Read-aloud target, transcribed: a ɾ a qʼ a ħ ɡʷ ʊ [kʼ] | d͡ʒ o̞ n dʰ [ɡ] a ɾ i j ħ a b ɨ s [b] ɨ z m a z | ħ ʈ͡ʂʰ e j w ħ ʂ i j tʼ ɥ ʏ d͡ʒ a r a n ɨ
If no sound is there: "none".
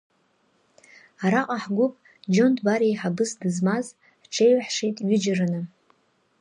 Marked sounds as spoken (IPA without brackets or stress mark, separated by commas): pʼ, b, d